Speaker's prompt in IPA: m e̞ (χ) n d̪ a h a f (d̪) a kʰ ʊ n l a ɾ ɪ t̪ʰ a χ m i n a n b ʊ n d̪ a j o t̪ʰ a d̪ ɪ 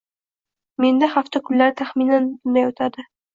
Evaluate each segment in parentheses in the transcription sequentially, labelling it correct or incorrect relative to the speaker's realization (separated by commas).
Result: incorrect, incorrect